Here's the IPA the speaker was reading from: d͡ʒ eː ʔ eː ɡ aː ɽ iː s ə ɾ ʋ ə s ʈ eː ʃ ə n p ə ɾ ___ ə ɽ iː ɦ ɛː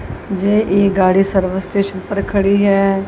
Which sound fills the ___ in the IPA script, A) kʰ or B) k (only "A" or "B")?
A